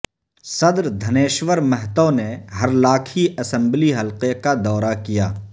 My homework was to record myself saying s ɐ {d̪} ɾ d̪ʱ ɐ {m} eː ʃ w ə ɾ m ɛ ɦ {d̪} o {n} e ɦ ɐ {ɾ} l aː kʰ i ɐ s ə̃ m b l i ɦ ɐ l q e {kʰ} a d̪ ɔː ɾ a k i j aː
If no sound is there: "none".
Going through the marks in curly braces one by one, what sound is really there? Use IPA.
d̪, n, t̪, n, ɾ, k

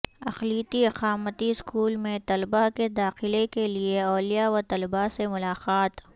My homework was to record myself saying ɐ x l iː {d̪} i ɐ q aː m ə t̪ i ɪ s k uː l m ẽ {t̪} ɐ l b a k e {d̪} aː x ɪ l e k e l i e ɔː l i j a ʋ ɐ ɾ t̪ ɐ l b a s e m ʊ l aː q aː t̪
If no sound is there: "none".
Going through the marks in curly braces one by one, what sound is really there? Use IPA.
t̪, t̪, d̪

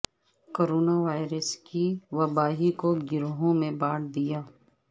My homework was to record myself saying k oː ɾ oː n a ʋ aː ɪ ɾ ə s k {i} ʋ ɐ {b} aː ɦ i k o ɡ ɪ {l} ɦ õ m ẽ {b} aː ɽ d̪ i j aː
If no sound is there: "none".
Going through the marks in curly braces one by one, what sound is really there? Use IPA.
i, b, ɾ, b

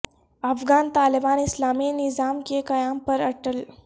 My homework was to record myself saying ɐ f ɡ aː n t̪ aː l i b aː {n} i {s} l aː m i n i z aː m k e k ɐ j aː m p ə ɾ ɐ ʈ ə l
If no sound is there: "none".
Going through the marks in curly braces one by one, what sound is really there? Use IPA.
n, s

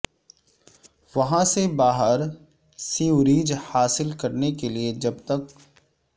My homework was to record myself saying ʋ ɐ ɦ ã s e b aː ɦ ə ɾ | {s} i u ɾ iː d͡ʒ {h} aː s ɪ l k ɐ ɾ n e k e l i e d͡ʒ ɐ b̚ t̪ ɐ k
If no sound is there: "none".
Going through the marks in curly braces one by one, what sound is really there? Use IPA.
s, h

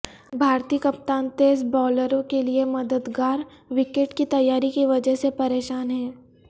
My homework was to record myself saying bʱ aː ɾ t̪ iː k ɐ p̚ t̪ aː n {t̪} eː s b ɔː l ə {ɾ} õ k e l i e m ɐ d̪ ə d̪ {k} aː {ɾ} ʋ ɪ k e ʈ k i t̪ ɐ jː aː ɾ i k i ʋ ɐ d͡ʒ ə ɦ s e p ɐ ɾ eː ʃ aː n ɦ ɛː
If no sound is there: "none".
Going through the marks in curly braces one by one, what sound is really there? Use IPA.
t̪, ɾ, ɡ, ɾ

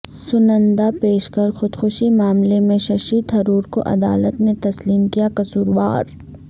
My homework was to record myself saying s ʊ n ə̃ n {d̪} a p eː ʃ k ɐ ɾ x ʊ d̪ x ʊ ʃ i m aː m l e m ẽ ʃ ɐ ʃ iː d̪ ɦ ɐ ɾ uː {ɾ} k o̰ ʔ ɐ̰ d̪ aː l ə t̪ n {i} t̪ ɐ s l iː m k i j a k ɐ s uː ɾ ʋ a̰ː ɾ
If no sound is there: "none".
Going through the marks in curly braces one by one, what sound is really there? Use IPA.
d̪, ɾ, e

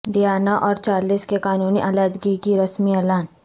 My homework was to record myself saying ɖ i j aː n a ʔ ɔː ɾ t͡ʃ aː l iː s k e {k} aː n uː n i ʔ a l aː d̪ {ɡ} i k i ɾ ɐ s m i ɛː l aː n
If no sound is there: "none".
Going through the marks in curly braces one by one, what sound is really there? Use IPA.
k, ɡ

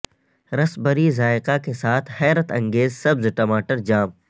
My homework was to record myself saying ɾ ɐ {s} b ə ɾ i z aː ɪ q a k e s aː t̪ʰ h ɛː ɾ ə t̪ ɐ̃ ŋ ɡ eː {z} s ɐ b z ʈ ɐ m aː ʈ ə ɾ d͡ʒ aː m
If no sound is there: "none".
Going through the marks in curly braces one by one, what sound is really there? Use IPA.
s, z

